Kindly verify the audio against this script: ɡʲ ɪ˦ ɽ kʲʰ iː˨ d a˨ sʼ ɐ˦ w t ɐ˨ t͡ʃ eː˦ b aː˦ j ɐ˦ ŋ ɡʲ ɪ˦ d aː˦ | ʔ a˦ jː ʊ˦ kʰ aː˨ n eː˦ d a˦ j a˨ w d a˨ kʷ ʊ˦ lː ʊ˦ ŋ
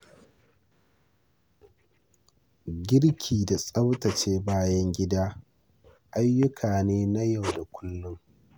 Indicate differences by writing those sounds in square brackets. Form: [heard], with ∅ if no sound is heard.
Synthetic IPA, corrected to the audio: ɡʲ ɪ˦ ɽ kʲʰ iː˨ d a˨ sʼ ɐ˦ w t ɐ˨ t͡ʃ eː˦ b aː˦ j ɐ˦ ŋ ɡʲ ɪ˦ d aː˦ | ʔ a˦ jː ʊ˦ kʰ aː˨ n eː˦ [n] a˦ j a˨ w d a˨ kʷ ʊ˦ lː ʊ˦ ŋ